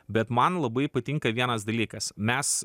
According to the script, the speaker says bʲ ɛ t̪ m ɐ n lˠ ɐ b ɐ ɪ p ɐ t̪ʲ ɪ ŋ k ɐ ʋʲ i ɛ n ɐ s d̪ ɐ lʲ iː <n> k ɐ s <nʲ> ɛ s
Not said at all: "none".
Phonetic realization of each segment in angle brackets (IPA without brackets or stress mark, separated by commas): none, mʲ